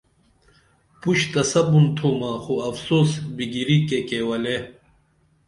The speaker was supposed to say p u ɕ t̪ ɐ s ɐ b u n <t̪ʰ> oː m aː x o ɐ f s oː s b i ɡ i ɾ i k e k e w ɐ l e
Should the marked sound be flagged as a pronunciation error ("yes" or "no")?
no